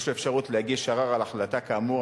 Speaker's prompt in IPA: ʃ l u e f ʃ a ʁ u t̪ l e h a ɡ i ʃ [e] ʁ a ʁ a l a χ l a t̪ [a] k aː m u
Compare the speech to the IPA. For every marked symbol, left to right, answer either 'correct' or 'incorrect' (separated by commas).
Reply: incorrect, correct